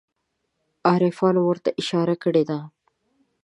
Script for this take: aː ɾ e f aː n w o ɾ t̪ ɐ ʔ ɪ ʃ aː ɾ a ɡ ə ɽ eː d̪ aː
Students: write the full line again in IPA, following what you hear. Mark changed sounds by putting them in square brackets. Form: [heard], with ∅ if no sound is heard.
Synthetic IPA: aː ɾ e f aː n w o ɾ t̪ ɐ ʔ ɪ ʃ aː ɾ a [k] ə ɽ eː d̪ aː

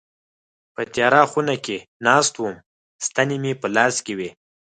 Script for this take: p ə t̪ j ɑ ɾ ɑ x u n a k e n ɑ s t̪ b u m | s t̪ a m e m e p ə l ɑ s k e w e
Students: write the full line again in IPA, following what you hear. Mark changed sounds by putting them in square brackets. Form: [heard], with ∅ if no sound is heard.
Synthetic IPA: p ə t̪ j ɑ ɾ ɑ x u n a k e n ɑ s t̪ [w] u m | s t̪ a [n] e m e p ə l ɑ s k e w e

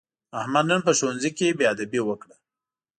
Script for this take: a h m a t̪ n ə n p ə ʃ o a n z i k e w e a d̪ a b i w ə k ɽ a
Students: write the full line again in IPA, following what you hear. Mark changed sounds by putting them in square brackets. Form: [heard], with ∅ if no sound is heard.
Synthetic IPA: a h m a [d̪] n ə n p ə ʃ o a n z i k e [b] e a d̪ a b i w ə k ɽ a

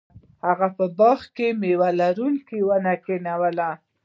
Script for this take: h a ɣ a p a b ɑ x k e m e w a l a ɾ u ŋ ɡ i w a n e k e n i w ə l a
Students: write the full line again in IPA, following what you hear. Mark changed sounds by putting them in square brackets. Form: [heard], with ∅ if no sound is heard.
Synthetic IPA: h a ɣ a p [ə] b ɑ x k e m e w a l a ɾ u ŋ [k] i w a n [a] k e n [a] w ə l a

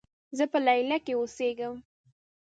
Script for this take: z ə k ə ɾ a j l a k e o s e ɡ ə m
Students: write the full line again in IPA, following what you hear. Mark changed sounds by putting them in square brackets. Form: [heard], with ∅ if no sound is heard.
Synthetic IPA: z ə [p] ə [l] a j l a k e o s e ɡ ə m

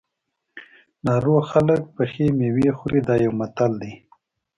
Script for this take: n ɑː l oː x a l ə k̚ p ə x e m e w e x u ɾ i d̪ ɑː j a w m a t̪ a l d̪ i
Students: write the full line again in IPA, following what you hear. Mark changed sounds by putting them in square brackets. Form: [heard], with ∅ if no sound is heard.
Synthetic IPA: n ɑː [ɾ] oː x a l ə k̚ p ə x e m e w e x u ɾ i d̪ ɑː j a w m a t̪ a l d̪ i

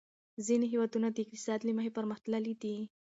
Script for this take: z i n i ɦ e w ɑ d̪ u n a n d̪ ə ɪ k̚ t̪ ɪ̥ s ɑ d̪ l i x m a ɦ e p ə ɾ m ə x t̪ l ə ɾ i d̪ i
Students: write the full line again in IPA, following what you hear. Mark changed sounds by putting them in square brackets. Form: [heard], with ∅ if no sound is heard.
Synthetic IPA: z i n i ɦ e w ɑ d̪ u n a [∅] d̪ ə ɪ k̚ t̪ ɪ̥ s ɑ d̪ l i [∅] m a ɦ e p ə ɾ m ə x t̪ l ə [l] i d̪ i

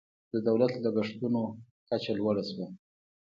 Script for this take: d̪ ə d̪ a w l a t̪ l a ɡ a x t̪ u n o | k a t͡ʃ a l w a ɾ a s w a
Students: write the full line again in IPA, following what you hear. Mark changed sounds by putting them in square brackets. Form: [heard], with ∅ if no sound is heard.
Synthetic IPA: d̪ ə d̪ a w l a t̪ l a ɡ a [ʂ] t̪ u n o | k a t͡ʃ a l w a [ɽ] a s w a

